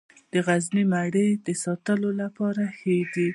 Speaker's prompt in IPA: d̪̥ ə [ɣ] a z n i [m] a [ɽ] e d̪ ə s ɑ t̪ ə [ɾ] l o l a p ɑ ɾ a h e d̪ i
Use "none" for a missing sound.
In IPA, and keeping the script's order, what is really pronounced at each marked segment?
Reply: ɣ, m, ɽ, none

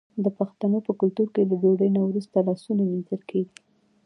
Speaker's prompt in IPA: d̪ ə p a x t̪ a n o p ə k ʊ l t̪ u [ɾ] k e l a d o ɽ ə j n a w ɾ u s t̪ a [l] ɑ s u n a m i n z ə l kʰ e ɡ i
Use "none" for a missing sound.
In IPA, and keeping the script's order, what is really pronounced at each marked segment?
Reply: ɾ, l

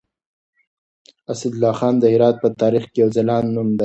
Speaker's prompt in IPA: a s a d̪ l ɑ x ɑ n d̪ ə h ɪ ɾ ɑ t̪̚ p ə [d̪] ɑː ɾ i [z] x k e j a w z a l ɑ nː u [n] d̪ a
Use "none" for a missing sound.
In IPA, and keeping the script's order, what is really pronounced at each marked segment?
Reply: t̪, none, m

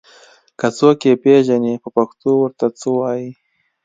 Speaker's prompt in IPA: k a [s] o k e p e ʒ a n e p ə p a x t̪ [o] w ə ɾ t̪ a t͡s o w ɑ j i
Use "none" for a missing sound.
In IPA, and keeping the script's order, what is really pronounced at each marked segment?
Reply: t͡s, o

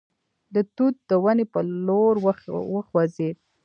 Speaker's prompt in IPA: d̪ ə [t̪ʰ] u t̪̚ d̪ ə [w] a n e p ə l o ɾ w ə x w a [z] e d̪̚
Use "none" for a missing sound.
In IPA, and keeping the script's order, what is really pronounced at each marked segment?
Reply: t̪, w, z

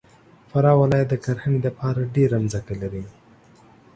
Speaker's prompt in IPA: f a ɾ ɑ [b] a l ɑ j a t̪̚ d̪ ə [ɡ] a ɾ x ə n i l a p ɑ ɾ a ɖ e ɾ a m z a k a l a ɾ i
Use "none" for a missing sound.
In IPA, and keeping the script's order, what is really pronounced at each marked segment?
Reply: w, k

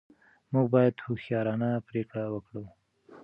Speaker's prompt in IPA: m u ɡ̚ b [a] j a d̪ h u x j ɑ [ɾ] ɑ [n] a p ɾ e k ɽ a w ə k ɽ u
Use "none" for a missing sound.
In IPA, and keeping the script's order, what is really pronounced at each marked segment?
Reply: ɑ, ɾ, n

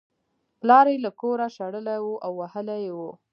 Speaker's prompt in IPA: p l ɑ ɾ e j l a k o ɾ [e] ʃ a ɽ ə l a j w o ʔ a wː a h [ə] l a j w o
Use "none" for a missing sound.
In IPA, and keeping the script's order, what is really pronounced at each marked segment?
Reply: a, ə

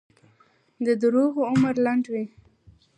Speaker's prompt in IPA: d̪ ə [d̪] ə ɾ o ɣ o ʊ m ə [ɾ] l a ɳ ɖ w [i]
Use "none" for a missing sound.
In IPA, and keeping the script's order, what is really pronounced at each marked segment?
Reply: d̪, ɾ, i

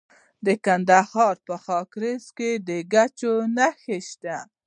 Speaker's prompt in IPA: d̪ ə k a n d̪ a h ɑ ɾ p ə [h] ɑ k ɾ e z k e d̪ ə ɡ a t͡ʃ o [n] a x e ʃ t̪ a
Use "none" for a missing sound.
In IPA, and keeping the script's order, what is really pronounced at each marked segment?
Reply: x, n

